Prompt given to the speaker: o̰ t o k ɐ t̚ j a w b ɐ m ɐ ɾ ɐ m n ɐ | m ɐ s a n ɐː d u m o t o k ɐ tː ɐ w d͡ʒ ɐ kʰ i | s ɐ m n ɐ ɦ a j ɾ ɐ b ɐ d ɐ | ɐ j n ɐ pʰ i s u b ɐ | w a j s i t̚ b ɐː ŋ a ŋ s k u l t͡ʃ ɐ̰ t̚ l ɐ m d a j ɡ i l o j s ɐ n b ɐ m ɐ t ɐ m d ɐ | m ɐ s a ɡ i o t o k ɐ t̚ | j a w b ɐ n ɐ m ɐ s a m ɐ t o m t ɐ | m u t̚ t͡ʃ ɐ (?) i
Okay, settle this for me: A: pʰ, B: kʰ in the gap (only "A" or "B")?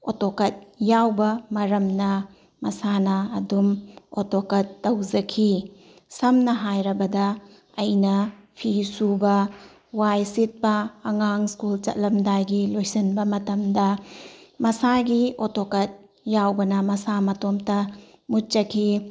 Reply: B